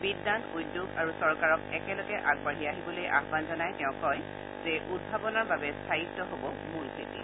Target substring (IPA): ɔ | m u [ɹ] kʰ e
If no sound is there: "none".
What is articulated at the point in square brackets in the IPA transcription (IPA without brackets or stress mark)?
l